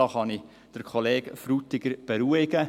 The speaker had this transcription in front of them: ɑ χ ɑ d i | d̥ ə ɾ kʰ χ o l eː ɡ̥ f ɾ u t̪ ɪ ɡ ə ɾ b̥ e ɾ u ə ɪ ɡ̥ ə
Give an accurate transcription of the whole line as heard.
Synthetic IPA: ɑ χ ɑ n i | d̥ ə ɾ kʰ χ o l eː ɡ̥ f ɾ u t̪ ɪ ɡ ə ɾ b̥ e ɾ u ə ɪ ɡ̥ ə